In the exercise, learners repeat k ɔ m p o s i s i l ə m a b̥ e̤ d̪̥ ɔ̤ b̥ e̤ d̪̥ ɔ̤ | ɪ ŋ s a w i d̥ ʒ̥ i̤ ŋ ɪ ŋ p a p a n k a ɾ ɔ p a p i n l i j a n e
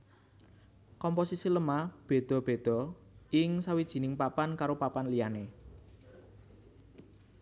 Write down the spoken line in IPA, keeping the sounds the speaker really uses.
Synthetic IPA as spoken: k ɔ m p o s i s i l ə m a b̥ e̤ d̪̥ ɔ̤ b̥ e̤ d̪̥ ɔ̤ | ɪ ŋ s a w i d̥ ʒ̥ i̤ n ɪ ŋ p a p a n k a ɾ o p a p a n l i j a n e